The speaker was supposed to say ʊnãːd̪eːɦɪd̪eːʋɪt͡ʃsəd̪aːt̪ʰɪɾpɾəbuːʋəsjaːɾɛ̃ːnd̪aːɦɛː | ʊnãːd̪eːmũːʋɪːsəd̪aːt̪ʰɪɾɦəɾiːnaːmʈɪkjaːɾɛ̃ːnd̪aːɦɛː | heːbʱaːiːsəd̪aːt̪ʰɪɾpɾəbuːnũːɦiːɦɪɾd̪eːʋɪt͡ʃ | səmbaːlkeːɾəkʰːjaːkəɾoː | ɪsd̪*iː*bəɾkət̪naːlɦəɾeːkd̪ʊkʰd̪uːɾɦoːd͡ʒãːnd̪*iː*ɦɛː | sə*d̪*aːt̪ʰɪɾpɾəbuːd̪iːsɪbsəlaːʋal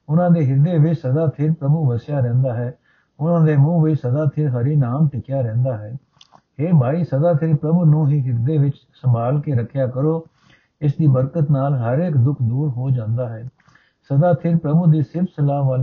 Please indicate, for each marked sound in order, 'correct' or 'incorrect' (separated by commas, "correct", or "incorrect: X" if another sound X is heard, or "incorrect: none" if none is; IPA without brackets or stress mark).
correct, incorrect: aː, correct